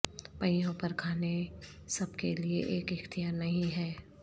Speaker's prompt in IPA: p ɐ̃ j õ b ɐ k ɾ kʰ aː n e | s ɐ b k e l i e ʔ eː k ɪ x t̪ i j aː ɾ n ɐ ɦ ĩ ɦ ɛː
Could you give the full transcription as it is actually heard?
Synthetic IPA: p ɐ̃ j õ p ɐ ɾ kʰ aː n e | s ɐ b k e l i e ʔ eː k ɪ x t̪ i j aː ɾ n ɐ ɦ ĩ ɦ ɛː